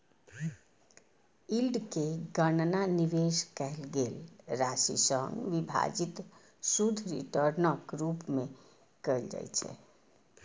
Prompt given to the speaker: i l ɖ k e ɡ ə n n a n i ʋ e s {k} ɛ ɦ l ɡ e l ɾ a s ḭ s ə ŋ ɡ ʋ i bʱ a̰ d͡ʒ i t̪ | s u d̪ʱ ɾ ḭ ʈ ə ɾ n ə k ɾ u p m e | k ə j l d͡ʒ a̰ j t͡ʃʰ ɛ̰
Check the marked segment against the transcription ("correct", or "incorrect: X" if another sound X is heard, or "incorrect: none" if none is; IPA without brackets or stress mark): correct